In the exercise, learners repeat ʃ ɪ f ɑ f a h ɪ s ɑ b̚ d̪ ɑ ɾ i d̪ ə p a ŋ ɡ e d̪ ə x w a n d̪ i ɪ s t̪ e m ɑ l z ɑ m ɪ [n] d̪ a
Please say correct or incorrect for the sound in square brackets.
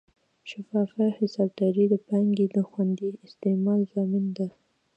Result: correct